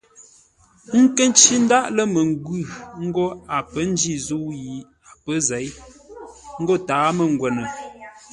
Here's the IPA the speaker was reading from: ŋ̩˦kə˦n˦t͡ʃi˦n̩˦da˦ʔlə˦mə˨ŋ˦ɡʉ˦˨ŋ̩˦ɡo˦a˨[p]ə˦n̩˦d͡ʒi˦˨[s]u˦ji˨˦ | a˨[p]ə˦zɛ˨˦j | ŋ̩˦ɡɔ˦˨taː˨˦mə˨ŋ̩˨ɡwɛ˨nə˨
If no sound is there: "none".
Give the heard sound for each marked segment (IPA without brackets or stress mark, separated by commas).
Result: p, z, p